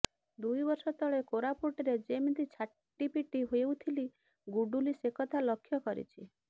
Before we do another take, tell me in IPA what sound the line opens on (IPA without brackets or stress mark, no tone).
d̪